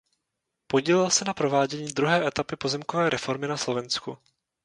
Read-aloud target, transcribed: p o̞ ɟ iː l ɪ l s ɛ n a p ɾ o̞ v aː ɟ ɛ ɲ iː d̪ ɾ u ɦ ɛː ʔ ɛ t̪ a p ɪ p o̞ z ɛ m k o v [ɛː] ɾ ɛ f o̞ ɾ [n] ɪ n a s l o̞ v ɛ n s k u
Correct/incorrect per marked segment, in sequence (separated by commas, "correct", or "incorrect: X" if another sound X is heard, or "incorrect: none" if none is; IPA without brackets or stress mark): correct, incorrect: m